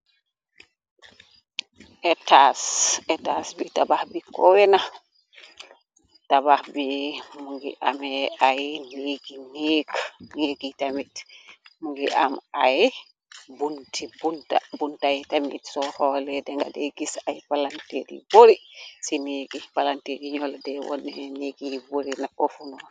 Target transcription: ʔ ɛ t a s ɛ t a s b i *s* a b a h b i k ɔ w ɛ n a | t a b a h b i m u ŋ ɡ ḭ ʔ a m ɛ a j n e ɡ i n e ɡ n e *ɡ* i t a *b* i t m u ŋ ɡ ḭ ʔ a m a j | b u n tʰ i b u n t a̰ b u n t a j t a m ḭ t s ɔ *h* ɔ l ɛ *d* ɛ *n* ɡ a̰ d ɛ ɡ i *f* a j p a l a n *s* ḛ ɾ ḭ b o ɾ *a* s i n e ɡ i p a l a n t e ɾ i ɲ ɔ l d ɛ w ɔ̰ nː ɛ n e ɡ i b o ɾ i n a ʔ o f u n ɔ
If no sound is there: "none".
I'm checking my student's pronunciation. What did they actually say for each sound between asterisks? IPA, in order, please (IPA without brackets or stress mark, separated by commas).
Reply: t, ɡ, m, h, d, ŋ, s, t, i